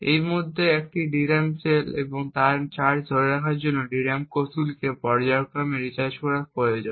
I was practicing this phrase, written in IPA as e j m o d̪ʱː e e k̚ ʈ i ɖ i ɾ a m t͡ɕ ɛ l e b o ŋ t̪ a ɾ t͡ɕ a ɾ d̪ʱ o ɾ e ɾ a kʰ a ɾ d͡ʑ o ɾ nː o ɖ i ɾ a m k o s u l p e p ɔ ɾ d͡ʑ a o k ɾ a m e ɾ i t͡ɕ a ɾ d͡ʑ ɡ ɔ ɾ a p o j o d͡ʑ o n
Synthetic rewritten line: e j m o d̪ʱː e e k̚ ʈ i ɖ i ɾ a m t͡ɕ e l e b o ŋ t̪ a ɾ t͡ɕ a ɾ d̪ʱ o ɾ e ɾ a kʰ a ɾ d͡ʑ o nː o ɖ i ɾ a m k o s u l k e p ɔ ɾ d͡ʑ a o k ɾ a m e ɾ i t͡ɕ a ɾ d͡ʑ k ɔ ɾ a p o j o d͡ʑ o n